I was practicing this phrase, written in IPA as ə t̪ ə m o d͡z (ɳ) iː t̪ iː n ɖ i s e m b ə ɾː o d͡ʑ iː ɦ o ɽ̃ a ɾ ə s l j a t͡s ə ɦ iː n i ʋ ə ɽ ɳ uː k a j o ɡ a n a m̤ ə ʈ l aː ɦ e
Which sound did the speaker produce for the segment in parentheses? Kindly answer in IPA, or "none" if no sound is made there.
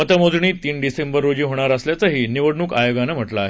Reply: ɳ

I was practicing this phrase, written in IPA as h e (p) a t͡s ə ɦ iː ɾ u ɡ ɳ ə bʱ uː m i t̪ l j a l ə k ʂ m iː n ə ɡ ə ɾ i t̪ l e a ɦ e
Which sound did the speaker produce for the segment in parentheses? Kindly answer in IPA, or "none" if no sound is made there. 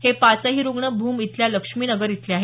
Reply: p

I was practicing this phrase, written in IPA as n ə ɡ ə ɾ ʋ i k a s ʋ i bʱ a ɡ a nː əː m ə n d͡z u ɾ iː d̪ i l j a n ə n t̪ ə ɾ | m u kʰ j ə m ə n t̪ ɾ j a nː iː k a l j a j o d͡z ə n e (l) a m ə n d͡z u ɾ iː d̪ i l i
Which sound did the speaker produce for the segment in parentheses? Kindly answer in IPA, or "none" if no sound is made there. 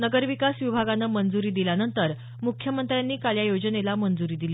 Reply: l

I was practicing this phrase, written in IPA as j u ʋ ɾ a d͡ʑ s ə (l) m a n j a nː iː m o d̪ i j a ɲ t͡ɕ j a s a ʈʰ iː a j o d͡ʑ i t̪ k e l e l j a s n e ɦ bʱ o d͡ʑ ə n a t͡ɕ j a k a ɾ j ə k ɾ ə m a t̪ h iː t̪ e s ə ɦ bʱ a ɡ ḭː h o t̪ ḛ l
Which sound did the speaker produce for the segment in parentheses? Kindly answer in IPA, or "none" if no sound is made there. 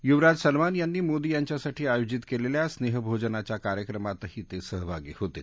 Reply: l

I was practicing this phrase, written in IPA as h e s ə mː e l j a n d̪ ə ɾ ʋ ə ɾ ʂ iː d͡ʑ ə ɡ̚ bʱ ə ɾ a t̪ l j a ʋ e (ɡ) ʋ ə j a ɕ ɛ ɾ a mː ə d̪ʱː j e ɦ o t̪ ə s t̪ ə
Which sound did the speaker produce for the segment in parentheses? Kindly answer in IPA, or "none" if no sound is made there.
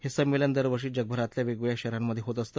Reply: ɡ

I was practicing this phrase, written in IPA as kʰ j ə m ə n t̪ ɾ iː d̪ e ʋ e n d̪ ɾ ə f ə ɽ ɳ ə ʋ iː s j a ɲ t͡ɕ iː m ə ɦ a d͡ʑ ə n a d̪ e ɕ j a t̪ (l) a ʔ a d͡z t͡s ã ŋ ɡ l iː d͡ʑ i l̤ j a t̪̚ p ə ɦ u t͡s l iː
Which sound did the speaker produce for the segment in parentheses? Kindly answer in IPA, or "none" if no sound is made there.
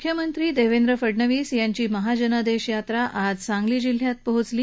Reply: ɾ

